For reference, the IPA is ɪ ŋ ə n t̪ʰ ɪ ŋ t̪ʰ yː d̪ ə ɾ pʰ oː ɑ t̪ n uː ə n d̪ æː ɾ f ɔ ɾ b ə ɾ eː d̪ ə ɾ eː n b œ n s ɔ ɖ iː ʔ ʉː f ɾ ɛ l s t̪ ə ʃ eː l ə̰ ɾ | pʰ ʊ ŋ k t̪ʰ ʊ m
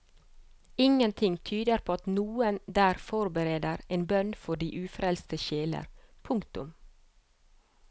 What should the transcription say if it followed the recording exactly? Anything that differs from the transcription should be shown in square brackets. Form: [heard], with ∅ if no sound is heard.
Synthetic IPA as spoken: ɪ ŋ ə n t̪ʰ ɪ ŋ t̪ʰ yː d̪ ə ɾ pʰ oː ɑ t̪ n uː ə n d̪ æː ɾ f ɔ ɾ b ə ɾ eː d̪ ə ɾ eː n b œ n [f] ɔ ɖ iː ʔ ʉː f ɾ ɛ l s t̪ ə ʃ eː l ə̰ ɾ | pʰ ʊ ŋ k [t̪] ʊ m